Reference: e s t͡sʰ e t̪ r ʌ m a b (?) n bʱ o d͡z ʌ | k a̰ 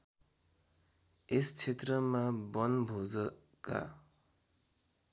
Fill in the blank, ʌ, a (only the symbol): ʌ